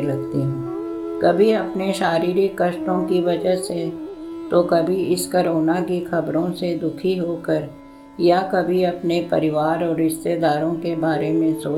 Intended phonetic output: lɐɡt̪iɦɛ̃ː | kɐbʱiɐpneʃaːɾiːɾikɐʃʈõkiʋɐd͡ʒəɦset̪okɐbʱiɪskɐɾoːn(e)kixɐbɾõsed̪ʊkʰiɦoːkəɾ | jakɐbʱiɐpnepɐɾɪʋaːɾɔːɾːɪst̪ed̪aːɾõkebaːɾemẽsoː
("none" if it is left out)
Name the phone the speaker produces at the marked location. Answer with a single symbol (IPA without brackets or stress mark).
a